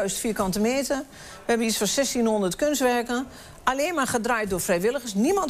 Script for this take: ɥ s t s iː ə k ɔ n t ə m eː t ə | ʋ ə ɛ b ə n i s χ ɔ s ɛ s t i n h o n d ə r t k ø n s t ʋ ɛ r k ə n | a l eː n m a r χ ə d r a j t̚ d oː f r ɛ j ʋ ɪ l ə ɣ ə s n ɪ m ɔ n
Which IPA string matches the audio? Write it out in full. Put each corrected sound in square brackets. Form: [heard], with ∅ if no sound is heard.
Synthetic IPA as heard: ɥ s t [f] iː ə k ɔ n t ə m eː t ə | ʋ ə ɛ b ə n i s [f] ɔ s ɛ s t i n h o n d ə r t k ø n s t ʋ ɛ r k ə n | a l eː n m a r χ ə d r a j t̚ d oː f r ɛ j ʋ ɪ l ə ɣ ə s n [i] m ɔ n